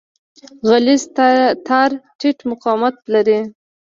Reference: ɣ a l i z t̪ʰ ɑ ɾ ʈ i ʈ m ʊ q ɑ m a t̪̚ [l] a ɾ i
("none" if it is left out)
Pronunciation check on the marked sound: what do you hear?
l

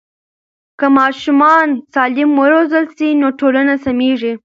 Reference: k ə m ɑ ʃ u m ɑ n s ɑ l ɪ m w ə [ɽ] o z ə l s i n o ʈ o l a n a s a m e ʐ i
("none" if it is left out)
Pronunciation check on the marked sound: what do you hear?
ɾ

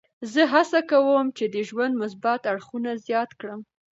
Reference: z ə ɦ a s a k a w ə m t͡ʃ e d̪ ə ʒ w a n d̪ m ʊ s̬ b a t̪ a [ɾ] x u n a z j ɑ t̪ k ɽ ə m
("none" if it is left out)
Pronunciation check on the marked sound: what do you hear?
ɽ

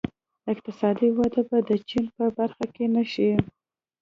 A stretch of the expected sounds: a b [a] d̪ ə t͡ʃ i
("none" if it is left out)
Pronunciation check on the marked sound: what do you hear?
a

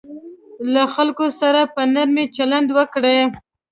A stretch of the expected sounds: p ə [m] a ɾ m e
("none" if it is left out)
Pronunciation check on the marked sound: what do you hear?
n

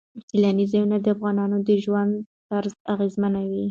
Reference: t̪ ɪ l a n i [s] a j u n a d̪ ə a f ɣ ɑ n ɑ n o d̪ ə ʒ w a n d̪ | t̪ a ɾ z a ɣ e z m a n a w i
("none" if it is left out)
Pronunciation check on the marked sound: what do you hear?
z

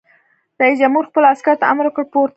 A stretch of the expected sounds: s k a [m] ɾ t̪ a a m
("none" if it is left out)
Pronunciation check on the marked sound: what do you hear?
none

